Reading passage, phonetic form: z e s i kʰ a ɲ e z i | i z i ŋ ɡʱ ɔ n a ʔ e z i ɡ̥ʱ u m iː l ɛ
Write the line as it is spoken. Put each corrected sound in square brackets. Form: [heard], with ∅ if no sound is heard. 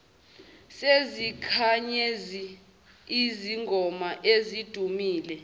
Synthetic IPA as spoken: [s] e [z] i kʰ a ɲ e z i | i z i ŋ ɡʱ ɔ [m] a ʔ e z i [d̥ʱ] u m iː l ɛ

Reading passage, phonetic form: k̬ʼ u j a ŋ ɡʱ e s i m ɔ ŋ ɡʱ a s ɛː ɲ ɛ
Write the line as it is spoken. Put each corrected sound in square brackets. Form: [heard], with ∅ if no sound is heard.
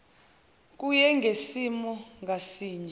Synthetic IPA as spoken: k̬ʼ u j [ɛ] ŋ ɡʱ e s i m ɔ ŋ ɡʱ a s [iː] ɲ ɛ

